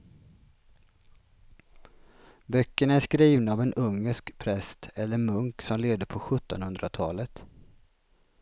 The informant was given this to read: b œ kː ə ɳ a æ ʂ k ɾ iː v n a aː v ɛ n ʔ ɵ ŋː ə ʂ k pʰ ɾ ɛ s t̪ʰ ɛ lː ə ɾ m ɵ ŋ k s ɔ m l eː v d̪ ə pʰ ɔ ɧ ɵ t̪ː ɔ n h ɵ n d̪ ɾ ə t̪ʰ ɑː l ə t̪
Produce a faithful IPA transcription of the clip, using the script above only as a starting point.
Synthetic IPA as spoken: b œ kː ə ɳ a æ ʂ k ɾ iː v n a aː v ɛ n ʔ ɵ ŋː ə ʂ k pʰ ɾ ɛ s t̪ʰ ɛ lː ə ɾ m ɵ ŋ k s ɔ m l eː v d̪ ə pʰ ɔ ɧ ɵ t̪ː ɔ n h ɵ n d̪ ɾ a t̪ʰ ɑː l ə t̪